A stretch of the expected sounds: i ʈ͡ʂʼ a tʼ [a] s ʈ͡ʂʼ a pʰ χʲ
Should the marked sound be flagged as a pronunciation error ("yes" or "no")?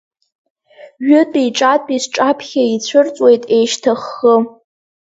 yes